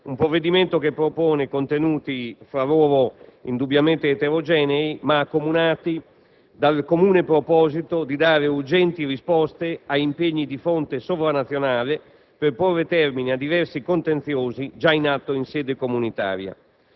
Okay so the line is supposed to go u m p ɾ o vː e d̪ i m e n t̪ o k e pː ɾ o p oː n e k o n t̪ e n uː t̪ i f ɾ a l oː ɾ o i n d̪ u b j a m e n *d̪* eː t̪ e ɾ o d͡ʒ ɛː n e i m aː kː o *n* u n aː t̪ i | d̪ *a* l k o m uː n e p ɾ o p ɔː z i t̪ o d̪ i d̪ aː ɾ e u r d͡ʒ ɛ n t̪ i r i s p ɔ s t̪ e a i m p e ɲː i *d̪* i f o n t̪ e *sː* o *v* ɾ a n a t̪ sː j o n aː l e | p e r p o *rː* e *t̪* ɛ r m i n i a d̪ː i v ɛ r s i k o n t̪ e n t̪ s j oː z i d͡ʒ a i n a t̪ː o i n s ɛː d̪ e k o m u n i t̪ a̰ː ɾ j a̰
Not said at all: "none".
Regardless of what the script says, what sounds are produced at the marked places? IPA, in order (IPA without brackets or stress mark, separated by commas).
t̪, m, a, d̪, s, v, rː, t̪